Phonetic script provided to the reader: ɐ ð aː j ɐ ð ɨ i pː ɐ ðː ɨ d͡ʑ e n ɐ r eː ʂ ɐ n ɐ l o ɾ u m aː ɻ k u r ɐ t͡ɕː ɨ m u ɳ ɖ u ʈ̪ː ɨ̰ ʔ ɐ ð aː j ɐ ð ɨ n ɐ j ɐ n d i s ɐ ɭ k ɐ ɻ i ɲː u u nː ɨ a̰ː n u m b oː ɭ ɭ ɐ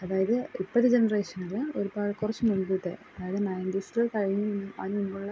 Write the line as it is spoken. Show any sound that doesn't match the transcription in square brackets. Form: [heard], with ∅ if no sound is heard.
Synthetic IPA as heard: ɐ ð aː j ɐ ð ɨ i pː ɐ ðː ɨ d͡ʑ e n ɐ r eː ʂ ɐ n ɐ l o ɾ u [b] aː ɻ k u r ɐ t͡ɕː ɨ m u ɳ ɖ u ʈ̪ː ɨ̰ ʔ ɐ ð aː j ɐ ð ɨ n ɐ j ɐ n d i s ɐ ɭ k ɐ ɻ i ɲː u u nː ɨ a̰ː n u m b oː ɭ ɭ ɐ